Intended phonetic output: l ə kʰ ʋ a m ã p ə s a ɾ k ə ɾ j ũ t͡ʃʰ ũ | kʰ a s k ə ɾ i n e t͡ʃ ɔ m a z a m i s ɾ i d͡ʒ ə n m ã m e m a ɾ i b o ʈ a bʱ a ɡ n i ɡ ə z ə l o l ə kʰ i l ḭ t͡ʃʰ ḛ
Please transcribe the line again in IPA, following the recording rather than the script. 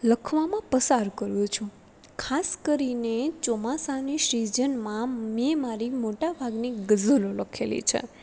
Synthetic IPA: l ə kʰ ʋ a m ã p ə s a ɾ k ə ɾ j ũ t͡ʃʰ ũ | kʰ a s k ə ɾ i n e t͡ʃ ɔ m a s a n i ʃ ɾ i d͡ʒ ə n m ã m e m a ɾ i m o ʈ a bʱ a ɡ n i ɡ ə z ə l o l ə kʰ e l ḭ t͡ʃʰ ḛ